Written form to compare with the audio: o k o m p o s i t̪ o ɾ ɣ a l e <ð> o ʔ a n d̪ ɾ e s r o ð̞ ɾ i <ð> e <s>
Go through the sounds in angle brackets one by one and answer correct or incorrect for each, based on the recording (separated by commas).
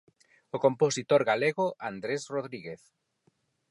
incorrect, incorrect, incorrect